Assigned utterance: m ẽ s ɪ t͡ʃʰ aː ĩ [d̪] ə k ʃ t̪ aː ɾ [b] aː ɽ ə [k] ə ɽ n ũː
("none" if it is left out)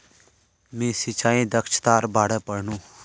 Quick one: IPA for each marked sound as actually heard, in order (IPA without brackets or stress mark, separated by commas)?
d̪, b, p